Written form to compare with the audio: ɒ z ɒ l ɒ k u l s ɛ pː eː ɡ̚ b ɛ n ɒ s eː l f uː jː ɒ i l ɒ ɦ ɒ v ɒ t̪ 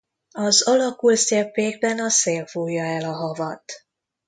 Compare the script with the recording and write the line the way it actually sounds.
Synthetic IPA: ɒ z ɒ l ɒ k u l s ɛ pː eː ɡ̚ b ɛ n ɒ s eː l f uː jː ɒ ɛ l ɒ ɦ ɒ v ɒ t̪